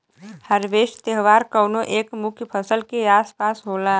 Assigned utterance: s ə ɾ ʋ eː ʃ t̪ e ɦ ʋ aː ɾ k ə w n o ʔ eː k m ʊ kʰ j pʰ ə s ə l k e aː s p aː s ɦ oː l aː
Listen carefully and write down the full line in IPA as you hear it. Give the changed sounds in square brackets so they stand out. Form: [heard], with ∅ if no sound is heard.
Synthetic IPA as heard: [h] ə ɾ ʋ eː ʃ t̪ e ɦ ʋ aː ɾ k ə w n o ʔ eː k m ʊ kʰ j pʰ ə s ə l k e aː s p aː s ɦ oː l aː